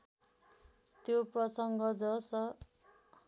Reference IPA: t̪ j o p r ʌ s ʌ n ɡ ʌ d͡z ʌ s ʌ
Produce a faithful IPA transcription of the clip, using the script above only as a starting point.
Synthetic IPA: t̪ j o p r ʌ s ʌ ŋ ɡ ʌ d͡z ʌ s ʌ